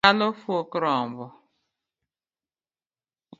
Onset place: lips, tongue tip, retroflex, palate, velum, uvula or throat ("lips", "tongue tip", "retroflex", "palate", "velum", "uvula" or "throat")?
tongue tip